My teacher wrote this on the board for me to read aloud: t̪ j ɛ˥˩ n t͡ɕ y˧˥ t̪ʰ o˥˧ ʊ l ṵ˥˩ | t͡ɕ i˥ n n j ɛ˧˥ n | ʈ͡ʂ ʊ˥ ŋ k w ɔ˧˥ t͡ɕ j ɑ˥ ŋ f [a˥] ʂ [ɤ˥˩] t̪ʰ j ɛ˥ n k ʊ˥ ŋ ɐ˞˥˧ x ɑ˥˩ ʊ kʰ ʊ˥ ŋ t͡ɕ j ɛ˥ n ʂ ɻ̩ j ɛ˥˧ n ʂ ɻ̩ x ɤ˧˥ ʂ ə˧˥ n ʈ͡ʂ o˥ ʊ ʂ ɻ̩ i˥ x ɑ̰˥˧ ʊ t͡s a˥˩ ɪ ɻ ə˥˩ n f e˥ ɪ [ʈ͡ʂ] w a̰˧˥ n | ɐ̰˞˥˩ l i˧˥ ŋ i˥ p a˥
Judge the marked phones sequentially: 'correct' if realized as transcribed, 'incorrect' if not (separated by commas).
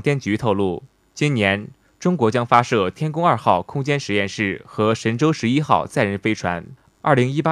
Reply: correct, correct, incorrect